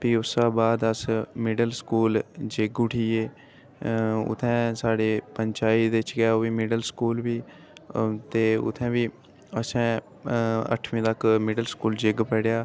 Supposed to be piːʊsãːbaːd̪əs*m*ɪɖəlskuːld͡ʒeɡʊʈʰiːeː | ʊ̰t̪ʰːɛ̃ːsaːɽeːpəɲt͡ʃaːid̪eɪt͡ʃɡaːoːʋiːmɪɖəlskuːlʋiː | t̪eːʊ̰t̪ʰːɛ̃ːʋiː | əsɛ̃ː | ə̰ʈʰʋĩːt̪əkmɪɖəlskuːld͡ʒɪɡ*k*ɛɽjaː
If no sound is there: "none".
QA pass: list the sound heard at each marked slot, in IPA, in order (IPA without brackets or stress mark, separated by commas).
m, p